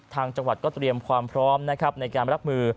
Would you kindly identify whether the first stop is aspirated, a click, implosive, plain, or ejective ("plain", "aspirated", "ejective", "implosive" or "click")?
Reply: aspirated